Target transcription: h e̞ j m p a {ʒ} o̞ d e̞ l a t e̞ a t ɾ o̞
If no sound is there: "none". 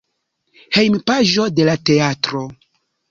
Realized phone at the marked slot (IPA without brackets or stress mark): ʒ